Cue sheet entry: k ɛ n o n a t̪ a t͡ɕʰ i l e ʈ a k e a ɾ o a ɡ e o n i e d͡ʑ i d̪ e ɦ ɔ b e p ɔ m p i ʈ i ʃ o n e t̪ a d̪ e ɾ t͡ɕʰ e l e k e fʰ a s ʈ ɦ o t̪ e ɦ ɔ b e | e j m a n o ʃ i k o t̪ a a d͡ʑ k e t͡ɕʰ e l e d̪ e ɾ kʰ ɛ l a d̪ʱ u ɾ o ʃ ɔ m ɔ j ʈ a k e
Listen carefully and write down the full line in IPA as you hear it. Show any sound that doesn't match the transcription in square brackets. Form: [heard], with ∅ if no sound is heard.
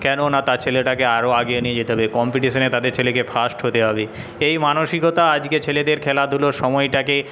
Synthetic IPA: k ɛ n o n a t̪ a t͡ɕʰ [e] l e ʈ a k e a ɾ o a ɡ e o n i e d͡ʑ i [t̪] e ɦ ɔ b e [k] ɔ m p i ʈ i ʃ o n e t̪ a d̪ e ɾ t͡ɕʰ e l e k e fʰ a s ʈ ɦ o t̪ e ɦ ɔ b e | e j m a n o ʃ i k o t̪ a a d͡ʑ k e t͡ɕʰ e l e d̪ e ɾ kʰ ɛ l a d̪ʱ u [l] o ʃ ɔ m ɔ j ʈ a k e